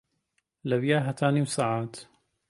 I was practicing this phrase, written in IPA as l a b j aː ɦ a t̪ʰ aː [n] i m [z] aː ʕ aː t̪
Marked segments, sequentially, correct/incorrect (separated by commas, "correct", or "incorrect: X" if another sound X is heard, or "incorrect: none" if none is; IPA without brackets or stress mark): correct, incorrect: s